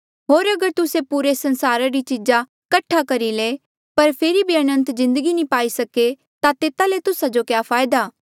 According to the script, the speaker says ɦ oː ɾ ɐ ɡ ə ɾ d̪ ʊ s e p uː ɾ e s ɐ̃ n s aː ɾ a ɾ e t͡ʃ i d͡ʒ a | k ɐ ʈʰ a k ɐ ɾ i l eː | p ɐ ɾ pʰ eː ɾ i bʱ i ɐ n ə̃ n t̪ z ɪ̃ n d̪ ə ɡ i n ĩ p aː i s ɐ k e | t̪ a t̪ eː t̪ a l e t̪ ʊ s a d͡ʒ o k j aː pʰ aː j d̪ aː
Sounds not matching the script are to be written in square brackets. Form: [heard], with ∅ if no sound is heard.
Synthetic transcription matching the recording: ɦ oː ɾ ɐ ɡ ə ɾ [t̪] ʊ s e p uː ɾ e s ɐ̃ n s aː ɾ a ɾ [i] t͡ʃ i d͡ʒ a | k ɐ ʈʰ a k ɐ ɾ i l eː | p ɐ ɾ pʰ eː ɾ i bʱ i ɐ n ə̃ n t̪ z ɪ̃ n d̪ ə ɡ i n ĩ p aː i s ɐ k e | t̪ a t̪ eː t̪ a l e t̪ ʊ s a d͡ʒ o k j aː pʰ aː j d̪ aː